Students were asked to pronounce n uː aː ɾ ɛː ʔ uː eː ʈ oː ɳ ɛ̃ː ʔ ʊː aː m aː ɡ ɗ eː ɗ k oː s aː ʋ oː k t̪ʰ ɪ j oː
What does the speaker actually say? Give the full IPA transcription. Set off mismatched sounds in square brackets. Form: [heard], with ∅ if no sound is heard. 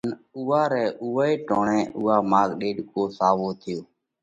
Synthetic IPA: n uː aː ɾ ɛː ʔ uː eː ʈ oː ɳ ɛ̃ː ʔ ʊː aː m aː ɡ ɗ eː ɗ k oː s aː ʋ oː [∅] t̪ʰ ɪ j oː